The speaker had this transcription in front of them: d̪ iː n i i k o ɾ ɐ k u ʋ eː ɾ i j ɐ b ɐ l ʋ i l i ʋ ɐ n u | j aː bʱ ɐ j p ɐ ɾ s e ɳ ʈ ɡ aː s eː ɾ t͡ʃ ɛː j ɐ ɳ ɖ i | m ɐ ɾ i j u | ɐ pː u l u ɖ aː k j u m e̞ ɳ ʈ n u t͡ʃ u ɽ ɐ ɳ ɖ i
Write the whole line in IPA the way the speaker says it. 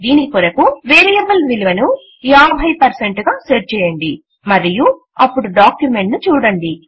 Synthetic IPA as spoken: d̪ iː n i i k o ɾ ɐ k u ʋ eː ɾ i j ɐ b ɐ l ʋ i l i ʋ ɐ n u | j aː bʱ ɐ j p ɐ ɾ s e ɳ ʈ ɡ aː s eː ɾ t͡ʃ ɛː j ɐ ɳ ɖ i | m ɐ ɾ i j u | ɐ pː u ɽ u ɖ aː k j u m e̞ ɳ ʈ n u t͡ʃ uː ɽ ɐ ɳ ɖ i